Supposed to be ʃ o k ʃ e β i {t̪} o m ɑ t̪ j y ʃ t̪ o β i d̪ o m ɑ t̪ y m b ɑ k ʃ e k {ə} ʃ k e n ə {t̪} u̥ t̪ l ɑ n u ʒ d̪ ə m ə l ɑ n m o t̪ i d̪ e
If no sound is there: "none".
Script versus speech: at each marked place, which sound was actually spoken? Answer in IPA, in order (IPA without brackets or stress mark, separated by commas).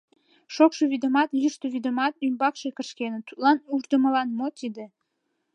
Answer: d̪, ə, t̪